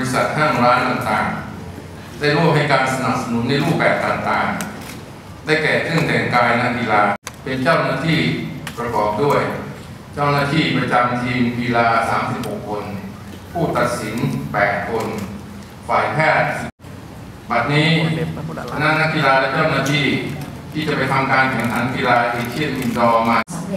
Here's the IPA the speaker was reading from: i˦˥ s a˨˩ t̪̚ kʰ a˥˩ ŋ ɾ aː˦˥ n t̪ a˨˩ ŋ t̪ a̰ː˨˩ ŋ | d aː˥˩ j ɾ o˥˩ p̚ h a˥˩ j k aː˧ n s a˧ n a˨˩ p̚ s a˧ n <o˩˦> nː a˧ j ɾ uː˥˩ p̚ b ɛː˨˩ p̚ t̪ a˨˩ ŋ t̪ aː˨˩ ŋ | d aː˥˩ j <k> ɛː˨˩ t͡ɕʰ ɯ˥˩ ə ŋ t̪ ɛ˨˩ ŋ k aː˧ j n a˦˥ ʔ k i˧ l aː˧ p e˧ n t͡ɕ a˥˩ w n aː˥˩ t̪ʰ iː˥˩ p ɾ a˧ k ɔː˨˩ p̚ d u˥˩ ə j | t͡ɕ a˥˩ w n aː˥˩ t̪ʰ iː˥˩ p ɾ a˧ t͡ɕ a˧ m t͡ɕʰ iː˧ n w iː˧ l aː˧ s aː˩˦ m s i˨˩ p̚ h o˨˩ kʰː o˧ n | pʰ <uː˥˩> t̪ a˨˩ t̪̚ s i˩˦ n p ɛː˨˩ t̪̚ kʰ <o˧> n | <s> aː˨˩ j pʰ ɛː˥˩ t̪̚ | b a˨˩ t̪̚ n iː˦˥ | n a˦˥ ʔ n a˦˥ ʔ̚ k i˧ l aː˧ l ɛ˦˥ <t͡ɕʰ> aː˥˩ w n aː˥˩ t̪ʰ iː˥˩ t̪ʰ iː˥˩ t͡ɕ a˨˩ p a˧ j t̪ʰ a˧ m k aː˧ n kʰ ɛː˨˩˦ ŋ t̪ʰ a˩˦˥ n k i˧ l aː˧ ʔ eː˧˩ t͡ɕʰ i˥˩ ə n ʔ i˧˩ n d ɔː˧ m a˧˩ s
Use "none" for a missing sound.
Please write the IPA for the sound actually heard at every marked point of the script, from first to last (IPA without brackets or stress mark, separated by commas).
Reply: u˩˦, k, uː˥˩, o˧, f, t͡ɕ